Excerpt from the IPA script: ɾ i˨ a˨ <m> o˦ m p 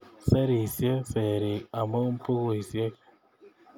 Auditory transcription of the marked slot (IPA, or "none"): m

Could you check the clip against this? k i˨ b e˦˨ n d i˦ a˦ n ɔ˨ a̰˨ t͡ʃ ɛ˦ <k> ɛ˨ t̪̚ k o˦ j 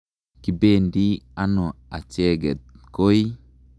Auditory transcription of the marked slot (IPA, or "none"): ɡ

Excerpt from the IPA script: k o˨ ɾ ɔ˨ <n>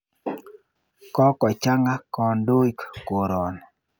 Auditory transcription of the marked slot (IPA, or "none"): n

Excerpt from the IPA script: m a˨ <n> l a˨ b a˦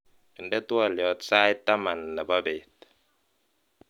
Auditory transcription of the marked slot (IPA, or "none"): n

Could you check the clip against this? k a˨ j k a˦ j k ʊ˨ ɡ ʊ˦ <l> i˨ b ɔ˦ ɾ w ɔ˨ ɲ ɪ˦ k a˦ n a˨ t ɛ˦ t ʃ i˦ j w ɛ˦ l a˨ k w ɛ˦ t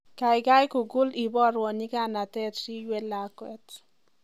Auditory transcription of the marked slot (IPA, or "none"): l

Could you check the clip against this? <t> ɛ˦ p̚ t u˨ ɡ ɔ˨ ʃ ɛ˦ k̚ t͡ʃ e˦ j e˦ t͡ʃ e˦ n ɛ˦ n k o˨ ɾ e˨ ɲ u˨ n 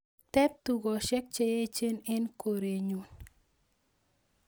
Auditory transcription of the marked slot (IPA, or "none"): t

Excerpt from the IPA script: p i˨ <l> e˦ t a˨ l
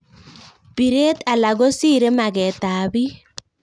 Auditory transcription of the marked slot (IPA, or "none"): ɾ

